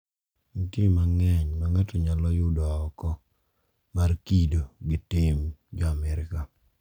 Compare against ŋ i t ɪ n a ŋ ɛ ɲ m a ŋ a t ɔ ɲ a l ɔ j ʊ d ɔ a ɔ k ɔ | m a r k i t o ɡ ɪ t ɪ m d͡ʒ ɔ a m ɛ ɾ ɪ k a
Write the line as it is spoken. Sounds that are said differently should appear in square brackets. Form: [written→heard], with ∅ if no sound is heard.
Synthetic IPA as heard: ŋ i t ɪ [n→m] a ŋ ɛ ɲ m a ŋ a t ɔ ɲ a l ɔ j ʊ d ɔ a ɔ k ɔ | m a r k i [t→d] o ɡ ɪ t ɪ m d͡ʒ ɔ a m ɛ ɾ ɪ k a

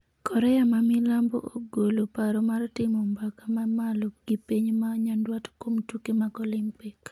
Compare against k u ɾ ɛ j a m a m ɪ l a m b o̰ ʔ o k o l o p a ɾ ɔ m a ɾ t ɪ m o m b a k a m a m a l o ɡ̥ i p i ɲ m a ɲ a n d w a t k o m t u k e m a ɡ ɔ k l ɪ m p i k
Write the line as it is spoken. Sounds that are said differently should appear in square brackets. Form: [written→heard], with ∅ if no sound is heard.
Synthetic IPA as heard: k [u→ɔ] ɾ ɛ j a m a m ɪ l a m b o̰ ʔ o [k→ɡ] o l o p a ɾ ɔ m a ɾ t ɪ m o m b a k a m a m a l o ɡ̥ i p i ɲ m a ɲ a n d w a t k o m t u k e m a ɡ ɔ [k→∅] l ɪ m p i k

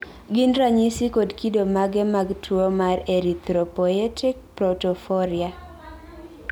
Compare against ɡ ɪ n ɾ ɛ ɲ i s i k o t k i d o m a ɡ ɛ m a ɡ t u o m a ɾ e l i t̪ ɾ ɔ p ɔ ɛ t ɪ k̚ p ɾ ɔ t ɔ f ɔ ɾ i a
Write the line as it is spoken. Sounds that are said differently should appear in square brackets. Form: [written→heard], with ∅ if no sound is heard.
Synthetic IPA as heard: ɡ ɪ n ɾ [ɛ→a] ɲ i s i k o [t→d] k i d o m a ɡ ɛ m a ɡ t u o m a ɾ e [l→ɾ] i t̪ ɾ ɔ p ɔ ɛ t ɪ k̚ p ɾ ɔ t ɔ f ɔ ɾ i a

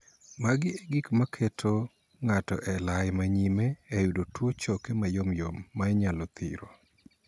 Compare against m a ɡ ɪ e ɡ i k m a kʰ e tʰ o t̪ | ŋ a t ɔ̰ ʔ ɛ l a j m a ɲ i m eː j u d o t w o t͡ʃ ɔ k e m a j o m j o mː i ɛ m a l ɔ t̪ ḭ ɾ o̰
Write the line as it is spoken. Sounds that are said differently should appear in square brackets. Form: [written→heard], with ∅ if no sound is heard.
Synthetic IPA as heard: m a ɡ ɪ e ɡ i k m a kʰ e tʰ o [t̪→∅] | ŋ a t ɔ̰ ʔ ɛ l a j m a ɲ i m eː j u d o t w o t͡ʃ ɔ k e m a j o m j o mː [i→a] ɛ [m→ɲ] a l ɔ t̪ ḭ ɾ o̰

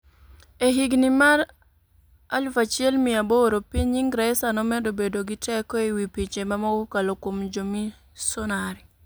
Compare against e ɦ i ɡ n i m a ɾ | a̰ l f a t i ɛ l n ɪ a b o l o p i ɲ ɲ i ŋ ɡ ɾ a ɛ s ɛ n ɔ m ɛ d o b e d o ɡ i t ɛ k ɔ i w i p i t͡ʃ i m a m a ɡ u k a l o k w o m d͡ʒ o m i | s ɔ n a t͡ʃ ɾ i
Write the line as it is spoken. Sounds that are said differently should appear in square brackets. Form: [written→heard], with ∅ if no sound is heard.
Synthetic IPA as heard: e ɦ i ɡ n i m a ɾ | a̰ l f a [t→t͡ʃ] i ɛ l [n→m] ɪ a b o [l→ɾ] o p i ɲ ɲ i ŋ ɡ ɾ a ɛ s [ɛ→a] n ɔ m ɛ d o b e d o ɡ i t ɛ k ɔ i w i p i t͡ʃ [i→e] m a m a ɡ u k a l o k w o m d͡ʒ o m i | s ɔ n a [t͡ʃ→∅] ɾ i

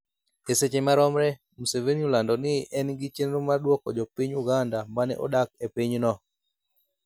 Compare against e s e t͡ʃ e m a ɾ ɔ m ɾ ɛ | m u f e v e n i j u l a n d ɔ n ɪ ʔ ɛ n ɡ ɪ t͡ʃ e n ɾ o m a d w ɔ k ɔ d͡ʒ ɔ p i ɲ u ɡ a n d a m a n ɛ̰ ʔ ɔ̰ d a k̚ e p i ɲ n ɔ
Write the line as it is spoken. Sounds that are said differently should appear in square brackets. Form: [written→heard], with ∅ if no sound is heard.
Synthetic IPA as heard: e s e t͡ʃ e m a ɾ ɔ m ɾ ɛ | m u [f→s] e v e n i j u l a n d ɔ n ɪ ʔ ɛ n ɡ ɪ t͡ʃ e n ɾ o m a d w ɔ k ɔ d͡ʒ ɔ p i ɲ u ɡ a n d a m a n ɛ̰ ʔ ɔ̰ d a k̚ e p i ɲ n ɔ

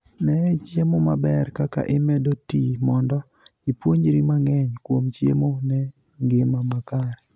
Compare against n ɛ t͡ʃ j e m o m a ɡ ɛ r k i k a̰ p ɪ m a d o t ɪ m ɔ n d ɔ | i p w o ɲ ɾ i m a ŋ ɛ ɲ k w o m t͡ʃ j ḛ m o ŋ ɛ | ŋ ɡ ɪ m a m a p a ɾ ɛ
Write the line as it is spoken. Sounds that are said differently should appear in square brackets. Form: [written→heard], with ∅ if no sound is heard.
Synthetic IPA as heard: n ɛ t͡ʃ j e m o m a [ɡ→b] ɛ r k [i→a] k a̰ [p→ʔ] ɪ m [a→ɛ] d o t [ɪ→i] m ɔ n d ɔ | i p w o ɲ ɾ i m a ŋ ɛ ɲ k w o m t͡ʃ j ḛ m o [ŋ→n] ɛ | ŋ ɡ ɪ m a m a [p→k] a ɾ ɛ

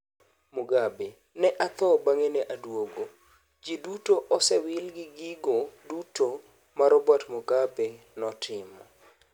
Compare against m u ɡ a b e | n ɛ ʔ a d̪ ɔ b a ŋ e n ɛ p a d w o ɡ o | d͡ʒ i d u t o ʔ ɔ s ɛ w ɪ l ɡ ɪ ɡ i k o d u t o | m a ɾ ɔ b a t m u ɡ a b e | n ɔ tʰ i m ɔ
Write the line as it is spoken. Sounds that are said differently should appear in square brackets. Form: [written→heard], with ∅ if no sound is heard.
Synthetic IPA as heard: m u ɡ a b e | n ɛ ʔ a [d̪→t̪] ɔ b a ŋ e n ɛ [p→ʔ] a d w o ɡ o | d͡ʒ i d u t o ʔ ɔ s ɛ w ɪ l ɡ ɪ ɡ i [k→ɡ] o d u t o | m a ɾ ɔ b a t m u ɡ a b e | n ɔ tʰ [i→ɪ] m ɔ

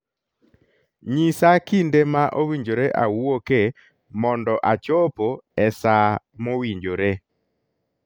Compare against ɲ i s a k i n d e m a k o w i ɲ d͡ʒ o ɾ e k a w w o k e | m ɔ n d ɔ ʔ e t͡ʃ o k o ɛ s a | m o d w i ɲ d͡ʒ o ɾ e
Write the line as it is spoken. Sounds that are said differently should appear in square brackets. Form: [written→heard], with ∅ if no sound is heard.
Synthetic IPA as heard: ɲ i s a k i n d e m a [k→ʔ] o w i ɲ d͡ʒ o ɾ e [k→ʔ] a w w o k e | m ɔ n d ɔ ʔ [e→a] t͡ʃ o [k→p] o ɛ s a | m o [d→∅] w i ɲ d͡ʒ o ɾ e

